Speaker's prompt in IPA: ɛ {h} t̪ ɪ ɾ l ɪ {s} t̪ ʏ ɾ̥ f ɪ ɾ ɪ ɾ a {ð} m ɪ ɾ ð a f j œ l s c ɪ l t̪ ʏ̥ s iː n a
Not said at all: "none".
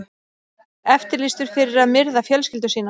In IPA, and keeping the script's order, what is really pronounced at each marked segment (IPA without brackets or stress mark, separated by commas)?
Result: f, s, ð